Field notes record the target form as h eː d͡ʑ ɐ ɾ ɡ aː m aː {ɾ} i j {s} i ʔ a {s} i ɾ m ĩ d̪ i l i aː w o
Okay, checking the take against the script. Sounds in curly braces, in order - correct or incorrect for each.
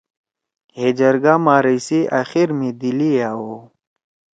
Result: correct, correct, incorrect: x

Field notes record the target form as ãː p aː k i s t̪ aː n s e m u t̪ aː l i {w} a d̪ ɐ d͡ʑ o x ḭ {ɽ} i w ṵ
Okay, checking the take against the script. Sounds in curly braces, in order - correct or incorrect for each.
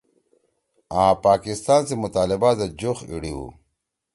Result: incorrect: b, correct

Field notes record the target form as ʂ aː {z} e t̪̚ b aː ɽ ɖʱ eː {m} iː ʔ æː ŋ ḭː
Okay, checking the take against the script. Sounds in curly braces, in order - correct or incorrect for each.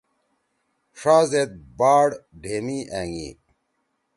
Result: correct, correct

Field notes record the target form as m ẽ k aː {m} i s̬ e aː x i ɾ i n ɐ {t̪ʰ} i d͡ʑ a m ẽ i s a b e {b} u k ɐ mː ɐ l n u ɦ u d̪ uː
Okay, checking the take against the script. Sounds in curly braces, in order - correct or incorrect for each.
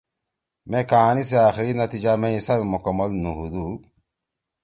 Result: incorrect: n, incorrect: t̪, incorrect: m

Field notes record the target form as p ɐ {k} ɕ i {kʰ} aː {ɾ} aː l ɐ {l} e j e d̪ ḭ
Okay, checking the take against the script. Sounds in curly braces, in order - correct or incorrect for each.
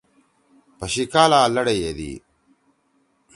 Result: incorrect: none, incorrect: k, incorrect: l, incorrect: ɽ

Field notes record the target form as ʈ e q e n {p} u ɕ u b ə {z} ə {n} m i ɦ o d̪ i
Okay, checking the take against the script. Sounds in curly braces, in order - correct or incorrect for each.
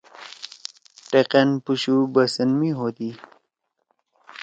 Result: correct, incorrect: s, correct

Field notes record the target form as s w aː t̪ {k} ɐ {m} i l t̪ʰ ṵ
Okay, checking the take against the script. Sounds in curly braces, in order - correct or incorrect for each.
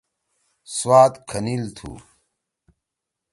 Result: incorrect: kʰ, incorrect: n

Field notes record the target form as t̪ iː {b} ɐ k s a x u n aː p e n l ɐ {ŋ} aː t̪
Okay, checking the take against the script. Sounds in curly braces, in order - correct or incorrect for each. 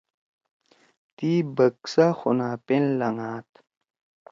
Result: correct, correct

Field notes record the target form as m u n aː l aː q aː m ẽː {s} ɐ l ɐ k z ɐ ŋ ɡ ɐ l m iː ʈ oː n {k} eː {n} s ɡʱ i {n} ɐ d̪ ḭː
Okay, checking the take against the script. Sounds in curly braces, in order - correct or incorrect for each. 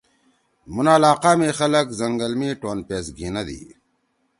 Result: incorrect: x, incorrect: p, incorrect: none, correct

